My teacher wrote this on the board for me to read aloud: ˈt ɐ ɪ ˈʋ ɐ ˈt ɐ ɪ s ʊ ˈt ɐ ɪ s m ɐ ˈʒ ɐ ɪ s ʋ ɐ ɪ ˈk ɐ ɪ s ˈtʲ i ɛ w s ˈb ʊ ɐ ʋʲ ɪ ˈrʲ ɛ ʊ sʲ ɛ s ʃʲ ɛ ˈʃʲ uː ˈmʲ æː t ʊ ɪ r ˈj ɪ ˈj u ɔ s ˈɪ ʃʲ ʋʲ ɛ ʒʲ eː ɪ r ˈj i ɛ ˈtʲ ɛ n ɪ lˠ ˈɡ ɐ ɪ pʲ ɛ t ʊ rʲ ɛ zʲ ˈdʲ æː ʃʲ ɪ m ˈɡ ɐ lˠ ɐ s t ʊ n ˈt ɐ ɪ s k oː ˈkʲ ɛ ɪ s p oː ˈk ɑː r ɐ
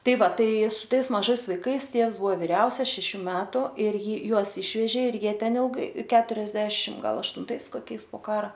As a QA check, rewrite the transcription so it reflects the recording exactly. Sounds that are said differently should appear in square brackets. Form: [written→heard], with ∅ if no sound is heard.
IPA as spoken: ˈt ɐ ɪ ˈʋ ɐ ˈt ɐ ɪ s ʊ ˈt ɐ ɪ s m ɐ ˈʒ ɐ ɪ s ʋ ɐ ɪ ˈk ɐ ɪ s ˈtʲ i ɛ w s ˈb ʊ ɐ ʋʲ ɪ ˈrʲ ɛ ʊ sʲ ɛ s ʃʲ ɛ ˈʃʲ uː ˈmʲ æː t ʊ ɪ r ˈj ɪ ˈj u ɔ s ˈɪ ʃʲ ʋʲ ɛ ʒʲ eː ɪ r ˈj i ɛ ˈtʲ ɛ n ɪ lˠ ˈɡ ɐ ɪ [pʲ→kʲ] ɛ t ʊ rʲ ɛ zʲ ˈdʲ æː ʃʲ ɪ m ˈɡ ɐ lˠ ɐ [s→ʃ] t ʊ n ˈt ɐ ɪ s k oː ˈkʲ ɛ ɪ s p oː ˈk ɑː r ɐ